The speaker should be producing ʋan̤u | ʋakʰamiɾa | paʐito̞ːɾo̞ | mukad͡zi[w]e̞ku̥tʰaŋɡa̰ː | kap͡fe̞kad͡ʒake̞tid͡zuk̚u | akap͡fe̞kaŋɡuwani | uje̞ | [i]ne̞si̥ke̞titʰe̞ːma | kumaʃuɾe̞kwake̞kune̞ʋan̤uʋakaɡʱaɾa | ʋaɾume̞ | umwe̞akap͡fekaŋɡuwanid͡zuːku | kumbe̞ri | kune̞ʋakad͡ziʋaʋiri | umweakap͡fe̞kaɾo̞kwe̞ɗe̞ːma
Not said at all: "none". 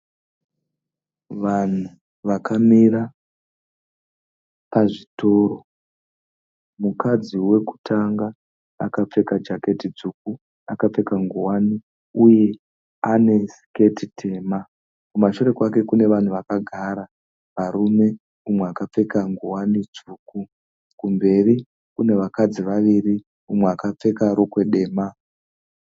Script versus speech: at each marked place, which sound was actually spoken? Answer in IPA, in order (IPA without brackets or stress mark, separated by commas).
w, a